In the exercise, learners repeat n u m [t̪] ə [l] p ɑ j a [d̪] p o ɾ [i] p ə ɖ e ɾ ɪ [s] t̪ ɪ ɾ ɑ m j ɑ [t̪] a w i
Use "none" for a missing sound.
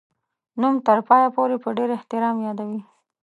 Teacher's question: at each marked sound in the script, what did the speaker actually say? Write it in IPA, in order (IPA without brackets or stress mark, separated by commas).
t̪, ɾ, none, e, h, d̪